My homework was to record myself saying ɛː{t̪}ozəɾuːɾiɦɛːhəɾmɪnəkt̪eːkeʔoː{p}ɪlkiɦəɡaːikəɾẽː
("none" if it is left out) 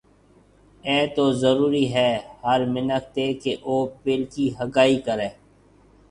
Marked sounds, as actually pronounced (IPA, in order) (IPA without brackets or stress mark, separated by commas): t̪, p